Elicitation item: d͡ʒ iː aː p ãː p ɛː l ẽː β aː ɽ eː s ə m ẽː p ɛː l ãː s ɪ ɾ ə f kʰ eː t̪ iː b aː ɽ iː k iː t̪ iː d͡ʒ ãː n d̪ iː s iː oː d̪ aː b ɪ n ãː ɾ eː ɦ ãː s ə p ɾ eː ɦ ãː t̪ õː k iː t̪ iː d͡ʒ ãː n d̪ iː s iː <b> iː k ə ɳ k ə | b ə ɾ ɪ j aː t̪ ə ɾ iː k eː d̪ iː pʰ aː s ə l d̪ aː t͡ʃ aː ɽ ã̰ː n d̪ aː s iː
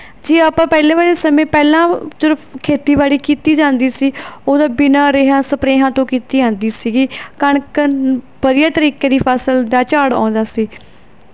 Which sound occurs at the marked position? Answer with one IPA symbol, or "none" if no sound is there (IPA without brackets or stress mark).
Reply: ɡ